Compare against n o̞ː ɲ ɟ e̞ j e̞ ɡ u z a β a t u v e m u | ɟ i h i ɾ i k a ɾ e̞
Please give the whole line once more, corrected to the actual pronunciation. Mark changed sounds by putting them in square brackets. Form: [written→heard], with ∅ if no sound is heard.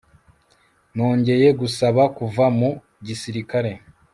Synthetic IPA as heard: n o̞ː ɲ ɟ e̞ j e̞ ɡ u [z→s] a β a [t→k] u v [e→a] m u | ɟ i [h→s] i ɾ i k a ɾ e̞